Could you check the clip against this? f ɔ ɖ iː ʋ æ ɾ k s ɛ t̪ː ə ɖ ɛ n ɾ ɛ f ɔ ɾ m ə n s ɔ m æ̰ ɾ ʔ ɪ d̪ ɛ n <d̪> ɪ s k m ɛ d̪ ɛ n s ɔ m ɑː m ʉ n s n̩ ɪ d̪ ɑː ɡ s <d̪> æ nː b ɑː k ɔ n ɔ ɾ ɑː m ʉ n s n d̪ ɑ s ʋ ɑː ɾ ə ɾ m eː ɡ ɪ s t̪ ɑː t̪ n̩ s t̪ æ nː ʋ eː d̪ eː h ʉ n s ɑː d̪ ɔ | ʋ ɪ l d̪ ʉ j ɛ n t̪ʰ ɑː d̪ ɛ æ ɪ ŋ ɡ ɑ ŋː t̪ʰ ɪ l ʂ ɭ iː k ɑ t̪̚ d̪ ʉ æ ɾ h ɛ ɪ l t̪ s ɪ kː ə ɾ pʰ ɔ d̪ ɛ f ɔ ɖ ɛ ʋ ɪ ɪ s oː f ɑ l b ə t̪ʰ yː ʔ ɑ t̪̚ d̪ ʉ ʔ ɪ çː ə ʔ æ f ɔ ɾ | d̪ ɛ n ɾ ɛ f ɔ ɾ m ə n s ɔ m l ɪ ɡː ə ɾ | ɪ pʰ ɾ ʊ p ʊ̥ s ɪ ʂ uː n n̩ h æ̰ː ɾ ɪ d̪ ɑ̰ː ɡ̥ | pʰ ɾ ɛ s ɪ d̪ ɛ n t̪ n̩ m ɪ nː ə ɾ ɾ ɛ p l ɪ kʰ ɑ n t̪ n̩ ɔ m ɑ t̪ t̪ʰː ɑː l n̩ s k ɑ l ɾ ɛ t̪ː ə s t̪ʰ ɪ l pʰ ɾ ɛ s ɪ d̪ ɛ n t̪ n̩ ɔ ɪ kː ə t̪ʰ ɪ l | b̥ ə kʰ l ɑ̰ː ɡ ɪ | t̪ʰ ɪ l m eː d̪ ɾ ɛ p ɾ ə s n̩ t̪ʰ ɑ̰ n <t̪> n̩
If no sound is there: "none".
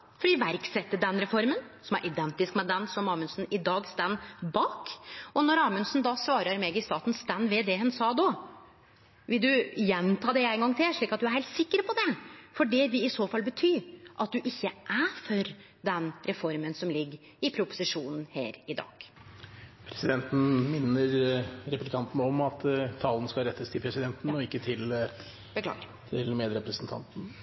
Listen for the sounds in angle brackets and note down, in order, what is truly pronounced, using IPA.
t̪, t̪, t̪

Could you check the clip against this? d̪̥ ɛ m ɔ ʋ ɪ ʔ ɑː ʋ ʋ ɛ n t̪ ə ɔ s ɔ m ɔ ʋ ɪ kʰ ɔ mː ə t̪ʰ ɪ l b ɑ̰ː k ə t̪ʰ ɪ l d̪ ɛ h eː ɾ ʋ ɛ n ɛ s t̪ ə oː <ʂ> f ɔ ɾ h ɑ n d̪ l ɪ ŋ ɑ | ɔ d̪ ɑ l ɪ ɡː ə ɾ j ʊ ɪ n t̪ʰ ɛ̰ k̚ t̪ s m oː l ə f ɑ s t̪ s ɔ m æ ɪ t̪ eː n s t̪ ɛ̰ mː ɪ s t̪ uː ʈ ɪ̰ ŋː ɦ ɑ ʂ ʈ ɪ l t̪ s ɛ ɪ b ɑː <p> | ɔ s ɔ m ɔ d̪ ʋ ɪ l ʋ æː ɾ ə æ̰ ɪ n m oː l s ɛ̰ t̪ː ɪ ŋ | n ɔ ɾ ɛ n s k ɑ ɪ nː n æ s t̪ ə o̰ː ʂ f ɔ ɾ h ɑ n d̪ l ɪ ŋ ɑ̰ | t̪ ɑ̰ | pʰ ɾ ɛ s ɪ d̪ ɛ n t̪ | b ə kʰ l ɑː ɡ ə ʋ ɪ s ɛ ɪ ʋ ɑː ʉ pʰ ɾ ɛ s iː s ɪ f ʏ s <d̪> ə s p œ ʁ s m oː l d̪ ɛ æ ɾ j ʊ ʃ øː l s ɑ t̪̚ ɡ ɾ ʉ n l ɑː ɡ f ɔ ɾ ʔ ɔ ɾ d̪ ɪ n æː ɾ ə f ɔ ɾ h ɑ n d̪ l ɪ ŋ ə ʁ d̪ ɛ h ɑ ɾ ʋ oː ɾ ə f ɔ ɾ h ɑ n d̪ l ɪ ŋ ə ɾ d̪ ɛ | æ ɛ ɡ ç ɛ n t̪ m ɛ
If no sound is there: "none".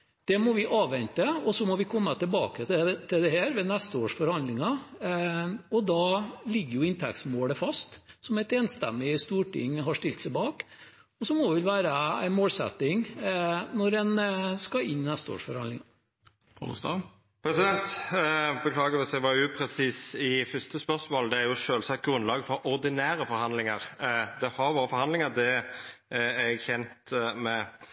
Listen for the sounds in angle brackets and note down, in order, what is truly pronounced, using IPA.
ʂ, k, t̪

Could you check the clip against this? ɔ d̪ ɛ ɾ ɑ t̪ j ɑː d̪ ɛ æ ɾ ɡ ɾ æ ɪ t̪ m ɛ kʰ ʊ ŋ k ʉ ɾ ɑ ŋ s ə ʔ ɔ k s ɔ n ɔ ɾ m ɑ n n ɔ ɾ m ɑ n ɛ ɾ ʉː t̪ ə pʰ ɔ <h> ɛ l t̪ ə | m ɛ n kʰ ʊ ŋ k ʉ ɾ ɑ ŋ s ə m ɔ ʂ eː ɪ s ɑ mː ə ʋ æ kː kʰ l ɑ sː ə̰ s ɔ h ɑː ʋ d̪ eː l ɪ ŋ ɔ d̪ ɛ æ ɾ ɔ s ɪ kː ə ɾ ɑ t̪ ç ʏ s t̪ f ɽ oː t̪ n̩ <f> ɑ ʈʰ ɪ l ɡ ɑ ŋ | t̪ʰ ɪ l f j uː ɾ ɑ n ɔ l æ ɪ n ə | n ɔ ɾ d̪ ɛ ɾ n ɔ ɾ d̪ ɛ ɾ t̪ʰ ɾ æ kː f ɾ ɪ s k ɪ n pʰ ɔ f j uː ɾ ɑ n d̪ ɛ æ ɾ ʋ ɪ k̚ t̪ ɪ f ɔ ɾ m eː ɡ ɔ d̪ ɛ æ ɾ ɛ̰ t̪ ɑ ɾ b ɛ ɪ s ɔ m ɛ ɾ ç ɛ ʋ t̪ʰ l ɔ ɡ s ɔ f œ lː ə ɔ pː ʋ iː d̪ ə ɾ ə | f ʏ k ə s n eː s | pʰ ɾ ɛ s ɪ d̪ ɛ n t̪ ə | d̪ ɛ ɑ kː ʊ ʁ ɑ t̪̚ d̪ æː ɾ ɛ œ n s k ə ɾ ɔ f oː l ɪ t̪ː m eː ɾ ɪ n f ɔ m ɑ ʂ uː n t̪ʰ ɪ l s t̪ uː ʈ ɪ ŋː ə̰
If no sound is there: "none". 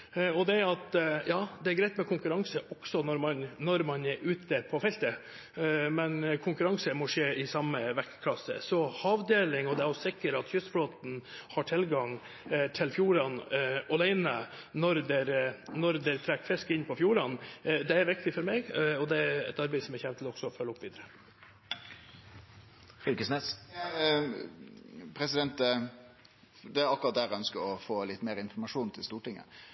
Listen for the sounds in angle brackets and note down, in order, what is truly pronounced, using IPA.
f, h

